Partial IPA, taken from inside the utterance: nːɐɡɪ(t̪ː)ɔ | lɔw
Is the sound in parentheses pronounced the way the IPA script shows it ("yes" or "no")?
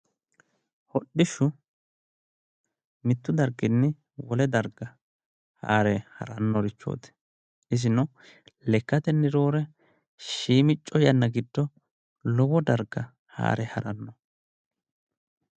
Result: no